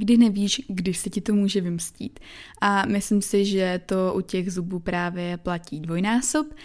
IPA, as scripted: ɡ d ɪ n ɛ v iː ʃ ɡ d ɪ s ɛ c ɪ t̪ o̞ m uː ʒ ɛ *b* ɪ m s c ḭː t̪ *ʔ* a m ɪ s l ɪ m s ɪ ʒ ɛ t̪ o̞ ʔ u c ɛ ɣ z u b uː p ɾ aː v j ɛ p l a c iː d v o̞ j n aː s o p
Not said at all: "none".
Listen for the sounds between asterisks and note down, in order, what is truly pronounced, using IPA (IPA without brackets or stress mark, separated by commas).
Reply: v, ʔ